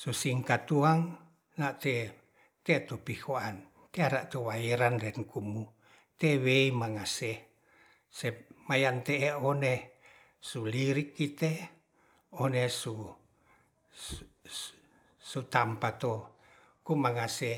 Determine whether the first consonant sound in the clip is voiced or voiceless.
voiceless